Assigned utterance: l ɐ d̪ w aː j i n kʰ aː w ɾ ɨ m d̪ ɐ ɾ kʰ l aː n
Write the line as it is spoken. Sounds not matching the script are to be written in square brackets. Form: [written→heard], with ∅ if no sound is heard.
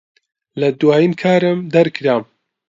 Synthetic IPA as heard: l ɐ d̪ w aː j i n kʰ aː [w→∅] ɾ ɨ m d̪ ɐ ɾ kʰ [l→ɾ] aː [n→m]